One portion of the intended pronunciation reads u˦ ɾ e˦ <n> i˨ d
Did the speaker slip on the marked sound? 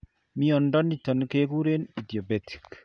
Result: no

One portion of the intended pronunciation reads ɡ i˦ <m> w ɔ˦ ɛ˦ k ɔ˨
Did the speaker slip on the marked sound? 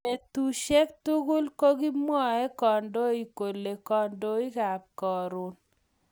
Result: no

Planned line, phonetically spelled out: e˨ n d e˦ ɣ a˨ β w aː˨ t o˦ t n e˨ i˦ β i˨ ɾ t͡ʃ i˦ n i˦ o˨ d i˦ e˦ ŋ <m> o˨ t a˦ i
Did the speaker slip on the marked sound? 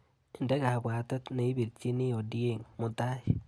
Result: no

